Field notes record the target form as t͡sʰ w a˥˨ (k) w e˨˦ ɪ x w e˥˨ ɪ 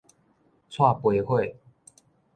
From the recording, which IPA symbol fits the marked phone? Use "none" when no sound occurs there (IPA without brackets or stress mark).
p